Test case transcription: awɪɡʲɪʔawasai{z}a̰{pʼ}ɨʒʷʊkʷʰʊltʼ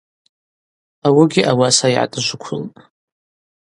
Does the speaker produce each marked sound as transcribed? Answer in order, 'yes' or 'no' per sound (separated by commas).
no, no